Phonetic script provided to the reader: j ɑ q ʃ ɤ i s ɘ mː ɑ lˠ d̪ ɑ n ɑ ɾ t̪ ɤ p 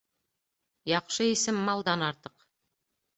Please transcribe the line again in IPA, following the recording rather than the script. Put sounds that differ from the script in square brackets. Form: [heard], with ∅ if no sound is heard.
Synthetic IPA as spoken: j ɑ q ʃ ɤ i s ɘ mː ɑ lˠ d̪ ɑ n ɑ ɾ t̪ ɤ [q]